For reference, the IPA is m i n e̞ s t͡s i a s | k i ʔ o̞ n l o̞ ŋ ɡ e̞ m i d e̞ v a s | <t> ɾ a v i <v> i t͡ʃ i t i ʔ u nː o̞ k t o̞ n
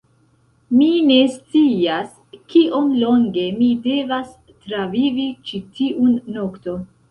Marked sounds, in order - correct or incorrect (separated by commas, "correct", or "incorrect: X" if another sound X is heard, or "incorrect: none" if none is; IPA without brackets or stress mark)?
correct, correct